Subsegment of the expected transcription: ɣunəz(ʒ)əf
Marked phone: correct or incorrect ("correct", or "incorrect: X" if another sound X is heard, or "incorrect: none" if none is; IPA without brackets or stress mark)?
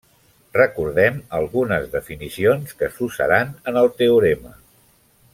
incorrect: ð